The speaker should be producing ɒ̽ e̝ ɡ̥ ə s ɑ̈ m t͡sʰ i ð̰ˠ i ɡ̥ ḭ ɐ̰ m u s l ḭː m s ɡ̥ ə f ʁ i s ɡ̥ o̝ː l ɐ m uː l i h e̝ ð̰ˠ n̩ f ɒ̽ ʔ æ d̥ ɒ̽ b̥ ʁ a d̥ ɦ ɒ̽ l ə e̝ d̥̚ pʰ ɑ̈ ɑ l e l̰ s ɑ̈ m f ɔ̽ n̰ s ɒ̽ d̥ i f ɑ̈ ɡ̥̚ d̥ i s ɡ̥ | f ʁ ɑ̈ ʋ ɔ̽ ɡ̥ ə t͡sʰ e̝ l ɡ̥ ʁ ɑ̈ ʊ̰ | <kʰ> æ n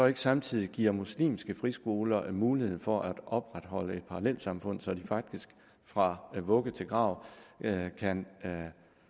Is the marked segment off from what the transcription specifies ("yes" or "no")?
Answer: no